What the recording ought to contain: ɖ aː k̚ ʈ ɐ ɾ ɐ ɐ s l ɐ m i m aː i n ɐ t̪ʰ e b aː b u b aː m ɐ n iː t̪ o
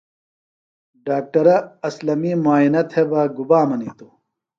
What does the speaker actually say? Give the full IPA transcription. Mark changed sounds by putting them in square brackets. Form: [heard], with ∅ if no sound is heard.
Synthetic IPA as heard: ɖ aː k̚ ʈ ɐ ɾ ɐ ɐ s l ɐ m i m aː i n ɐ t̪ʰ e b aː [ɡ] u b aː m ɐ n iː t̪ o